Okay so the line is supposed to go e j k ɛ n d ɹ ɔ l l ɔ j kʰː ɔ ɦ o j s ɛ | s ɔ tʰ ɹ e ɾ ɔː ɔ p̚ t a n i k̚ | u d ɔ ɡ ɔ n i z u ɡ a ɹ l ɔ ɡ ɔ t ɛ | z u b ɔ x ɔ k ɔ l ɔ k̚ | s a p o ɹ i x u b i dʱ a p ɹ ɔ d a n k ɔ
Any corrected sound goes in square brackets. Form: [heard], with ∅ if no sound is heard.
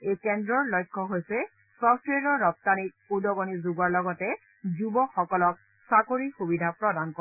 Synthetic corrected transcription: e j k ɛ n d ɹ ɔ [ɹ] l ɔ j kʰː ɔ ɦ o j s ɛ | s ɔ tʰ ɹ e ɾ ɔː ɔ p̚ t a n i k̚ | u d ɔ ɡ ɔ n i z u ɡ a ɹ l ɔ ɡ ɔ t ɛ | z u b ɔ x ɔ k ɔ l ɔ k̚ | s a [k] o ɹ i x u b i dʱ a p ɹ ɔ d a n k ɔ